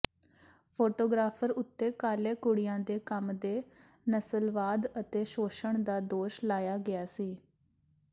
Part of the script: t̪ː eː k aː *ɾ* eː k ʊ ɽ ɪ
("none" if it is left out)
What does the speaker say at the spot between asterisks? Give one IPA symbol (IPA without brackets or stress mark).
l